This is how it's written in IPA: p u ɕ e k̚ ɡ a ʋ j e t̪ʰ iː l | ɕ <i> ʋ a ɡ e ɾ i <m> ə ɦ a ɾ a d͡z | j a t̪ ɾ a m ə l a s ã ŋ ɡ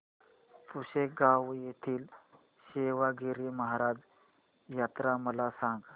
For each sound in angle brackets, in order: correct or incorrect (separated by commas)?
incorrect, correct